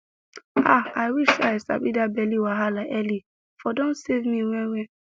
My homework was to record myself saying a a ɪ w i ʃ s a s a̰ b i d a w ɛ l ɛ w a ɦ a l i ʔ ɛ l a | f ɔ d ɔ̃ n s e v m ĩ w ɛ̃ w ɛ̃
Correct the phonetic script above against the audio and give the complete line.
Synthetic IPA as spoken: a a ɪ w i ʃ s a s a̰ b i d a b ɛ l i w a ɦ a l a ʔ ɛ l i | f ɔ d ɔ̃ n s e v m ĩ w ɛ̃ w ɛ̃